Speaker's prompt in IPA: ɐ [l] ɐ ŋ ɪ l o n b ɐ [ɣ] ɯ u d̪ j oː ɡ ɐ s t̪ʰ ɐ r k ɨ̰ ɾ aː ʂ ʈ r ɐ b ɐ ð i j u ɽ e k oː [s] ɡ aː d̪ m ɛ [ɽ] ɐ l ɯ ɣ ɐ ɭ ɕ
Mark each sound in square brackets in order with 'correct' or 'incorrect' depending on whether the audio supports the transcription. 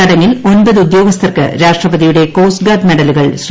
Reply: incorrect: ɽ, incorrect: ð, correct, correct

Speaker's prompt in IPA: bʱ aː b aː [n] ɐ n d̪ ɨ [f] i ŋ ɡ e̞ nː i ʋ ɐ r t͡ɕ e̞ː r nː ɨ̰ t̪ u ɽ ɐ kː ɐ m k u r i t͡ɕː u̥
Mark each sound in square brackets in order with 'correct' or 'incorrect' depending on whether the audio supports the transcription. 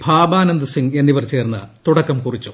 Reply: correct, incorrect: s

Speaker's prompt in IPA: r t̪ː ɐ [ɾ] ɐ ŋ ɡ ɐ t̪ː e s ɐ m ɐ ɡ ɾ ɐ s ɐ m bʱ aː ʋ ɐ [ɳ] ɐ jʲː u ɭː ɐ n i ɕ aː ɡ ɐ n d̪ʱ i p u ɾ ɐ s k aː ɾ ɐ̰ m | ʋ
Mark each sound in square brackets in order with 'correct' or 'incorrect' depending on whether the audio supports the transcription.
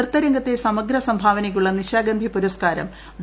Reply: correct, incorrect: n

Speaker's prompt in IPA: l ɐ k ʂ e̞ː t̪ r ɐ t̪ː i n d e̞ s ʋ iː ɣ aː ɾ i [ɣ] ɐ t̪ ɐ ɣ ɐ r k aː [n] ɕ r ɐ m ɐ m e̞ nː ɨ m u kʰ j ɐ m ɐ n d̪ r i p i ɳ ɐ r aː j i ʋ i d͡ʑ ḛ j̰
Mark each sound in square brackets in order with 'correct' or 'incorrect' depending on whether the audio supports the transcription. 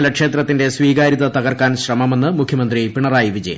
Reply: incorrect: ð, correct

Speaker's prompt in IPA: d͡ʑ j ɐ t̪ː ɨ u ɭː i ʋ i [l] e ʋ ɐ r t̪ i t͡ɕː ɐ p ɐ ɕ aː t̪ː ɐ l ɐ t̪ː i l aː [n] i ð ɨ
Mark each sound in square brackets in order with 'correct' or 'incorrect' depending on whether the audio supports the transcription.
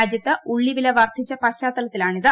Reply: correct, incorrect: ɳ

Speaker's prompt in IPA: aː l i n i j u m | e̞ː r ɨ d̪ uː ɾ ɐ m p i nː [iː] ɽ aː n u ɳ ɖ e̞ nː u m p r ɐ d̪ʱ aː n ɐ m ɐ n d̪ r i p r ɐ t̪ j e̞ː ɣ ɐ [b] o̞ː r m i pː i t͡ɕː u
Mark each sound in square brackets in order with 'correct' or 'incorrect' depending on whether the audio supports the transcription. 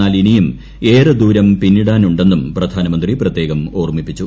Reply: incorrect: i, incorrect: m

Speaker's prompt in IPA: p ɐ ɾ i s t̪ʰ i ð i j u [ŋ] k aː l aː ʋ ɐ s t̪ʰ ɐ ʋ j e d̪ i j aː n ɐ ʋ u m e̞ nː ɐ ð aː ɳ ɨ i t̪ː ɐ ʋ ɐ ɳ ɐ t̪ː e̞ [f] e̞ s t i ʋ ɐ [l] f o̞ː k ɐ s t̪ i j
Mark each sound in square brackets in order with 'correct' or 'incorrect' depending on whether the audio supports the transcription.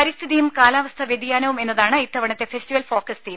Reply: incorrect: m, correct, correct

